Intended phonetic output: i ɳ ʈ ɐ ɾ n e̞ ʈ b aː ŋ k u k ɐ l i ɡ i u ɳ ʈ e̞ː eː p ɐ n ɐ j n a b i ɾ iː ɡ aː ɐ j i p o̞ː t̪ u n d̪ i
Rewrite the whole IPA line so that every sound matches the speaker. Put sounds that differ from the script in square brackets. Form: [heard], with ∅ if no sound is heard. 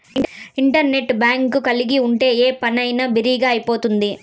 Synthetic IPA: i ɳ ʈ ɐ ɾ n e̞ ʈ b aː ŋ k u k ɐ l i ɡ i u ɳ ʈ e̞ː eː p ɐ n ɐ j n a b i ɾ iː ɡ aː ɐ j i p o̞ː t̪ u n d̪ i